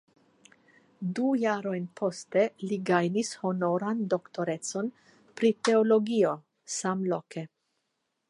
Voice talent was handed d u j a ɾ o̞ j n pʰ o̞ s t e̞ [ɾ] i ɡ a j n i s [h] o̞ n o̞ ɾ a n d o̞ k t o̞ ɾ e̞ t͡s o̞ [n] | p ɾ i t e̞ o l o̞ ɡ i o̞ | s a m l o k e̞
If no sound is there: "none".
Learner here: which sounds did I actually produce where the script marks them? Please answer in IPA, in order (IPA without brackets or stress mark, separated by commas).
l, h, n